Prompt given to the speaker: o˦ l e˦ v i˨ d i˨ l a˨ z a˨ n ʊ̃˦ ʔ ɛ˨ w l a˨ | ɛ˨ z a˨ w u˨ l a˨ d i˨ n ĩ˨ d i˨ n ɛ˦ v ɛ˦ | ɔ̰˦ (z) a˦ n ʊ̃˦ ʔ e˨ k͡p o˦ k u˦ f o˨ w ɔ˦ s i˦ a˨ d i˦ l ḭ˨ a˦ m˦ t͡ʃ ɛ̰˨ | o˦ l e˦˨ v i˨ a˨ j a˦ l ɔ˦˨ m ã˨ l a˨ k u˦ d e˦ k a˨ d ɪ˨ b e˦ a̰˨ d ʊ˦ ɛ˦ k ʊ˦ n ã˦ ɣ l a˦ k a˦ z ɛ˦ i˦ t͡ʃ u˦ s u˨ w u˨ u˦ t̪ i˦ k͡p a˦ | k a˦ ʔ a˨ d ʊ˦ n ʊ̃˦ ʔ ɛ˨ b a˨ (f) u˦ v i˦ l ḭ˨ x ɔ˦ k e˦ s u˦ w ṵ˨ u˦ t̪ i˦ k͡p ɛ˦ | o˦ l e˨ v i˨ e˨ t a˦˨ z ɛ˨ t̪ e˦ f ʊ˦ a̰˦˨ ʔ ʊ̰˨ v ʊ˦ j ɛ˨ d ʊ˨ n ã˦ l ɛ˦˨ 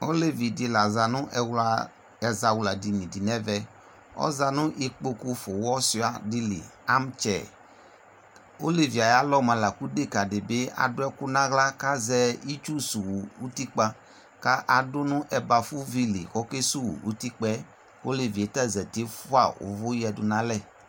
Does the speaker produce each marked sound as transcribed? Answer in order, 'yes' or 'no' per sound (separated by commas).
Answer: yes, yes